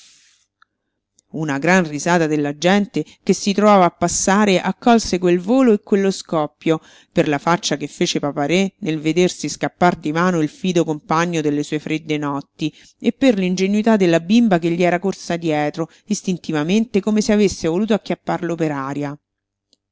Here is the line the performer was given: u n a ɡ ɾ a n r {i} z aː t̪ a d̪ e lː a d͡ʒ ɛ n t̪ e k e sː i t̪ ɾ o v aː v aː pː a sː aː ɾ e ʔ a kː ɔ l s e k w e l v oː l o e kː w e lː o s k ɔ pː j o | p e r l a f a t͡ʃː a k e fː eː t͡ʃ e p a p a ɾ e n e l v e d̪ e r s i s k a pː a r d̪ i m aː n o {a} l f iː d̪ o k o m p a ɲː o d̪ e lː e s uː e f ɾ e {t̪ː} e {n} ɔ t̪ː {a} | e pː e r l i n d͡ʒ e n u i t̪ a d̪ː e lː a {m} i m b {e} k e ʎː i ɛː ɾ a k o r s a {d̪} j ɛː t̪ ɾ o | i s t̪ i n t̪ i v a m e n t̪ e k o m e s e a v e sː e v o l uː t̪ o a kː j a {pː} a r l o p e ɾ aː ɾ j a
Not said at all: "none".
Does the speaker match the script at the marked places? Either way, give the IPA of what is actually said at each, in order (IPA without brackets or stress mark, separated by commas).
i, i, d̪ː, n, i, b, a, d̪, pː